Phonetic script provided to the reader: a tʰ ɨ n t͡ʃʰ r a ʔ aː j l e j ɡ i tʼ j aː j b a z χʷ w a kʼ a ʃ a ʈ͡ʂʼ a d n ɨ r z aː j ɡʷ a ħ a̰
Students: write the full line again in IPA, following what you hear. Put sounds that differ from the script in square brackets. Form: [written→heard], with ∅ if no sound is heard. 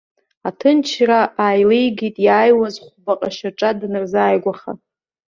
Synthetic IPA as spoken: a tʰ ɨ n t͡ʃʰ r a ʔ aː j l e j ɡ i tʼ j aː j [b→w] a z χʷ [w→b] a [kʼ→qʼ] a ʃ a ʈ͡ʂʼ a d n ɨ r z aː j ɡʷ a [ħ→χ] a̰